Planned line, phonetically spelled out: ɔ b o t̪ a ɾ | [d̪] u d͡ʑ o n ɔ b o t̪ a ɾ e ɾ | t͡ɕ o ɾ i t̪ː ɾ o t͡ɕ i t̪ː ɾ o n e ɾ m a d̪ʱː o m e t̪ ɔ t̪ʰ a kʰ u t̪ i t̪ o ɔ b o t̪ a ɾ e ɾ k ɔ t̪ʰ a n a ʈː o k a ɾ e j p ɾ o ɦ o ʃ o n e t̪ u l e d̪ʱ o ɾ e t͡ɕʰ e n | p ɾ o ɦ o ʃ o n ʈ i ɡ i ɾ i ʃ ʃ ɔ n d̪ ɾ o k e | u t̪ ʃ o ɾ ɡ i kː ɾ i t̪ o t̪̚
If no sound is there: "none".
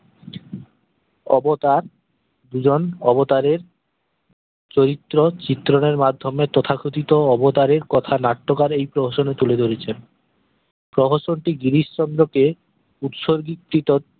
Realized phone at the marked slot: d̪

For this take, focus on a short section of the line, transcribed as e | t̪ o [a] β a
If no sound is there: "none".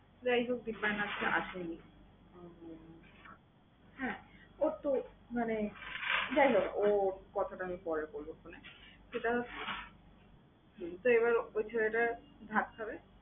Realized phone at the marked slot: e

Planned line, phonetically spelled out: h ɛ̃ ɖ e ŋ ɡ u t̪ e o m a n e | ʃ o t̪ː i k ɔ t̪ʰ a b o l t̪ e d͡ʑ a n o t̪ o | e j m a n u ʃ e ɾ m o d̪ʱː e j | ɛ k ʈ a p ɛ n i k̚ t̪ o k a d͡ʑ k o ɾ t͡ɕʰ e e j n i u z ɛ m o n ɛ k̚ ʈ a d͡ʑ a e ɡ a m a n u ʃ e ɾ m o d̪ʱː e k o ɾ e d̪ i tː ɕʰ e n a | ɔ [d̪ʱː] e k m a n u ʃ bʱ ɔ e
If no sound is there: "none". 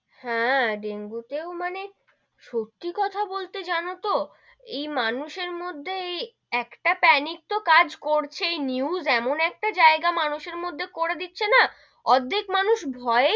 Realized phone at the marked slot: d̪ʱː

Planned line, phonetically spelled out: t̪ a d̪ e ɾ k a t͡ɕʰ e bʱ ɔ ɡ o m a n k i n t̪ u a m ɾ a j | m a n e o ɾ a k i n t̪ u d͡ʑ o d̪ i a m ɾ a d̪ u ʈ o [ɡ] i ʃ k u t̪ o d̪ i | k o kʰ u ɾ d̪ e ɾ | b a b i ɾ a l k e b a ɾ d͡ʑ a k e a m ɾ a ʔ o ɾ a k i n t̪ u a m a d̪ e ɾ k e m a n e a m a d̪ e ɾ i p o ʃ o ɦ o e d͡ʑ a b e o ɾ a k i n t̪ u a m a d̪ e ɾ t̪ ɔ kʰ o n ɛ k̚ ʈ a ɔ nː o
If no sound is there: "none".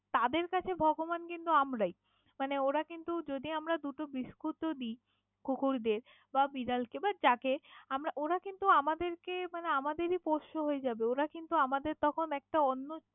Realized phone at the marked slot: b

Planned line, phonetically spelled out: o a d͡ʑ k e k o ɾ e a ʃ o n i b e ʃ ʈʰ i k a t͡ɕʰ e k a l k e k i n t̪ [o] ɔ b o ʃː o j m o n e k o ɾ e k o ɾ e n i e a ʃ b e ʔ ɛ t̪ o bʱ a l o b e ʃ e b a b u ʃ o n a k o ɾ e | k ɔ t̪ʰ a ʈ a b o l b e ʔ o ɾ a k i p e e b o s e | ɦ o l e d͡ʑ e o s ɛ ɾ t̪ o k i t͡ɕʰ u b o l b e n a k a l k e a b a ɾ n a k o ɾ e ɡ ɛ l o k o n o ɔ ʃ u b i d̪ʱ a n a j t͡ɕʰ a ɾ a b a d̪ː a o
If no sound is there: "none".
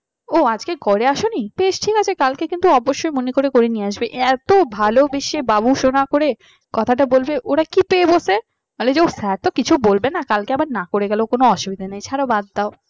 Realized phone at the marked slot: u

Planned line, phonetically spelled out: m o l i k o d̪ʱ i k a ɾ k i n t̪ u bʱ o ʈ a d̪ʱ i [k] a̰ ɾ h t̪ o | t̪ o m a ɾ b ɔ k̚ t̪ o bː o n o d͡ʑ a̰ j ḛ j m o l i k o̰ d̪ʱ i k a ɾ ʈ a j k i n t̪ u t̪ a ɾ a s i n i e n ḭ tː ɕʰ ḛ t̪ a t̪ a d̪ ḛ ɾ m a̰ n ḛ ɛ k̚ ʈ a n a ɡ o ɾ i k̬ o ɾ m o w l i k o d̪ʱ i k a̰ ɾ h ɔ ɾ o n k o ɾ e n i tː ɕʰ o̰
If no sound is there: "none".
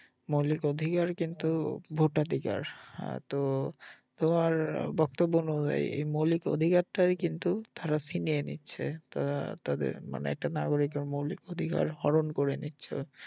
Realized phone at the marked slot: k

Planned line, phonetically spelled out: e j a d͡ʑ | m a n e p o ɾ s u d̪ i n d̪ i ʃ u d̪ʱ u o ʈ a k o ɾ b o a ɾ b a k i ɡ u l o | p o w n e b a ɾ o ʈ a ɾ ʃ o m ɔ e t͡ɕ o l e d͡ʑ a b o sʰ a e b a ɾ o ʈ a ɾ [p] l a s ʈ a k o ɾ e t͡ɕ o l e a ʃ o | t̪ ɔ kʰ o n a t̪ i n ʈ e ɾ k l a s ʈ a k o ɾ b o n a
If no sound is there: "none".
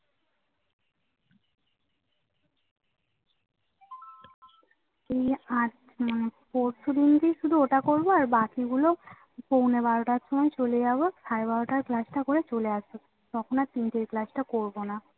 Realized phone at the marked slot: k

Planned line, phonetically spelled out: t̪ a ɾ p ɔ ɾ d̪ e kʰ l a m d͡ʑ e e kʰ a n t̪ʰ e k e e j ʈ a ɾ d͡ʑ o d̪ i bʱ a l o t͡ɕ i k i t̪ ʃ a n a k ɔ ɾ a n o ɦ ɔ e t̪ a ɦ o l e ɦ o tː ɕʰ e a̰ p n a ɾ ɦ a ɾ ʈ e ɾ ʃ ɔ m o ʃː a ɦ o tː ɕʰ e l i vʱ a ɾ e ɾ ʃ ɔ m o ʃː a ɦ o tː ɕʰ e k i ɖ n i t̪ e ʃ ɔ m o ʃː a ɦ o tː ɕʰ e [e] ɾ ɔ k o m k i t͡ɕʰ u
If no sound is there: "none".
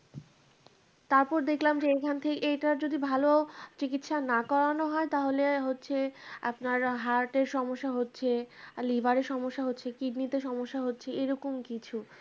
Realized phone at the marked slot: e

